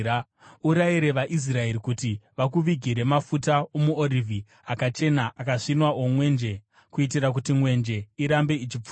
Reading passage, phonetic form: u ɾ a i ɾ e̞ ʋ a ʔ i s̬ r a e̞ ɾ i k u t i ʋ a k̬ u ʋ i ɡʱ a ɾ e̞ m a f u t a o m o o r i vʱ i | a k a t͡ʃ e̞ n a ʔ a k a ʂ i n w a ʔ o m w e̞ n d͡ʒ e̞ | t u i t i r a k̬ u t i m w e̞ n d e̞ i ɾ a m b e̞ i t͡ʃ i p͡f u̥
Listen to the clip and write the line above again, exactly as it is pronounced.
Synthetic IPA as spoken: u ɾ a i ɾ e̞ ʋ a ʔ i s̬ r a e̞ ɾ i k u t i ʋ a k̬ u ʋ i ɡʱ i ɾ e̞ m a f u t a o m u o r i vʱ i | a k a t͡ʃ e̞ n a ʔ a k a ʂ i n w a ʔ o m w e̞ n d͡ʒ e̞ | k u i t i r a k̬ u t i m w e̞ n d͡ʒ e̞ i ɾ a m b e̞ i t͡ʃ i p͡f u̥